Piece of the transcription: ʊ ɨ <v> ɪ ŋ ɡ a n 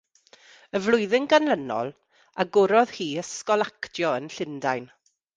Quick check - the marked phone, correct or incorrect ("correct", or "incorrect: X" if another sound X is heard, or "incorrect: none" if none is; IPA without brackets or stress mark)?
incorrect: ð